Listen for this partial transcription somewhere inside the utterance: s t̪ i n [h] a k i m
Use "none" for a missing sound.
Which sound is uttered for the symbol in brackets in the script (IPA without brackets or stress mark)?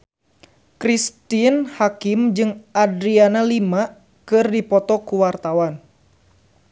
h